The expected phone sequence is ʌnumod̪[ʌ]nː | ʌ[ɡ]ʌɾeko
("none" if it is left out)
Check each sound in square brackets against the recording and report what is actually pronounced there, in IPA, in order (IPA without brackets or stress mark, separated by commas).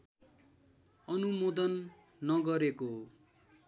ʌ, ɡ